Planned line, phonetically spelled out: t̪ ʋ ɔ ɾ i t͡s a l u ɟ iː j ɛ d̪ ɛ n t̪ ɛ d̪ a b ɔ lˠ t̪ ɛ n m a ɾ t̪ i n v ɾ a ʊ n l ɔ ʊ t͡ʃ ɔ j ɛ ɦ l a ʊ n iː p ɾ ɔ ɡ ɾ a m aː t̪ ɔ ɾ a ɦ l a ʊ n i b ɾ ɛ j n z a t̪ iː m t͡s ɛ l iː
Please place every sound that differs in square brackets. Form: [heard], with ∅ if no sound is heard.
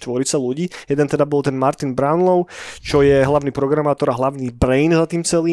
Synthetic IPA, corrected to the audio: t̪ ʋ ɔ ɾ i t͡s a l u ɟ iː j ɛ d̪ ɛ n t̪ ɛ d̪ a b ɔ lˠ t̪ ɛ n m a ɾ t̪ i n [b] ɾ a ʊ n l ɔ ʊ t͡ʃ ɔ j ɛ ɦ l a ʊ n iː p ɾ ɔ ɡ ɾ a m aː t̪ ɔ ɾ a ɦ l a ʊ n i b ɾ ɛ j n z a t̪ iː m t͡s ɛ l iː